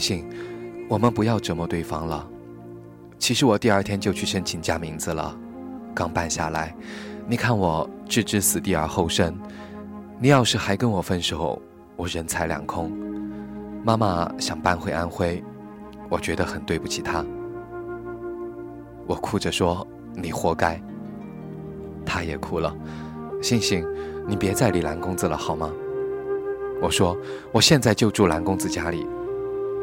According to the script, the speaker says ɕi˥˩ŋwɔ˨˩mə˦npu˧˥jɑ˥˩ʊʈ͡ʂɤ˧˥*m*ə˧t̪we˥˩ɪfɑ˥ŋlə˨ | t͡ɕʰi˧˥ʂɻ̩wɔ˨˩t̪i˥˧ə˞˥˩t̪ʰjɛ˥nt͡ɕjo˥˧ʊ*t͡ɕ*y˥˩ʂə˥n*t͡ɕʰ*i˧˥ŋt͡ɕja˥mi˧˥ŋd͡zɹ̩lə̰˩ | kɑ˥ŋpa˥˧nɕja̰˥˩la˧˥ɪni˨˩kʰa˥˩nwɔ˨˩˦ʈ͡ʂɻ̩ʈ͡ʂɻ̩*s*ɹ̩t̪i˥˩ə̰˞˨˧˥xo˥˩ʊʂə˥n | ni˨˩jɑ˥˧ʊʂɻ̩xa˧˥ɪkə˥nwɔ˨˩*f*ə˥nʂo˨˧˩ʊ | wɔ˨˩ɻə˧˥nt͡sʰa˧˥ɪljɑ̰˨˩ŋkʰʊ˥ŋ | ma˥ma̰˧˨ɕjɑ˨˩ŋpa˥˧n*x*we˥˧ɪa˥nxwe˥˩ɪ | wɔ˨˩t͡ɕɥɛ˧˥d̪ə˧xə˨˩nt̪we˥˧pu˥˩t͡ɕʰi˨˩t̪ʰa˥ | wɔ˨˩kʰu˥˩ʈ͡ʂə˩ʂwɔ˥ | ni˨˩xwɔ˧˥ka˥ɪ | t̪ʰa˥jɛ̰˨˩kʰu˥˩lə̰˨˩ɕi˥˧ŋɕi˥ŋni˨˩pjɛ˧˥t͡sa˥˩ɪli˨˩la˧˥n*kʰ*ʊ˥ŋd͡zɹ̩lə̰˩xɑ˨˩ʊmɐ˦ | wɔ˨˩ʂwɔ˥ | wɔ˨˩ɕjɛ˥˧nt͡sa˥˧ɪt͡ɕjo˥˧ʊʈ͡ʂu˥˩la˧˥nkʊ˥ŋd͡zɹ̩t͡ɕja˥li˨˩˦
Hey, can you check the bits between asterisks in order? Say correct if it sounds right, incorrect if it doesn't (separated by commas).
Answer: correct, incorrect, correct, correct, correct, correct, incorrect